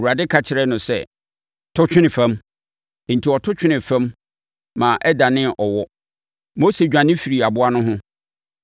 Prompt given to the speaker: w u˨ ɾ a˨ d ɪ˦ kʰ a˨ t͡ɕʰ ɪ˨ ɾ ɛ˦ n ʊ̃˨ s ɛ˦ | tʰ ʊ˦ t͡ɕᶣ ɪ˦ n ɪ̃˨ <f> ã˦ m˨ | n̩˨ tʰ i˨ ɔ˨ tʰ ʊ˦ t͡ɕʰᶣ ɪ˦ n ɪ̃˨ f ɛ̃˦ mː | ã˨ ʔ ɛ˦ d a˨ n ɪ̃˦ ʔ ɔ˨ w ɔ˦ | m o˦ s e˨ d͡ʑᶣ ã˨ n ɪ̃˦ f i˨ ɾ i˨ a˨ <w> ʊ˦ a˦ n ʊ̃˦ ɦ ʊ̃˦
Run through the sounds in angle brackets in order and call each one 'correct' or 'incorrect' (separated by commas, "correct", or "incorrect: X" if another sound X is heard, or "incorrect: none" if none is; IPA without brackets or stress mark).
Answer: correct, incorrect: b